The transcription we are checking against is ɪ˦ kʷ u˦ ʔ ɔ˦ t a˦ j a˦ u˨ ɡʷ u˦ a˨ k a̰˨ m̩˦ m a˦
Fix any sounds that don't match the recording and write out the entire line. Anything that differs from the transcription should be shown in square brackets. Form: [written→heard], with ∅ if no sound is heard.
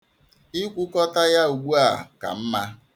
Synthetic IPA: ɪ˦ kʷ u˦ [ʔ→k] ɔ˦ t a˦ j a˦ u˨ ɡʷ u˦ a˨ k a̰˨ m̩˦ m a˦